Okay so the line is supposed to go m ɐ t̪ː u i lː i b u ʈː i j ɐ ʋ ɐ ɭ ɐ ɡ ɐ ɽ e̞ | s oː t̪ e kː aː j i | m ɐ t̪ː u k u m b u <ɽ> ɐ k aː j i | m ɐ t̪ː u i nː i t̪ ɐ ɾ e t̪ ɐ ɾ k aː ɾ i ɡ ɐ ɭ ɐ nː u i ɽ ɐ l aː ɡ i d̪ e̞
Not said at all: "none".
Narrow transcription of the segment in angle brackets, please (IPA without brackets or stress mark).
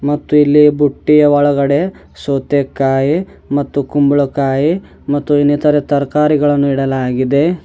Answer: ɭ